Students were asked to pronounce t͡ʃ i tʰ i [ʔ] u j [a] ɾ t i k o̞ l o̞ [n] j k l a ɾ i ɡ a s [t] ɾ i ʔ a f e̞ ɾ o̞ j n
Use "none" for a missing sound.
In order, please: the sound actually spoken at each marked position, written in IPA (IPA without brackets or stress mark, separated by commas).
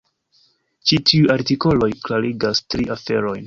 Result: none, a, none, t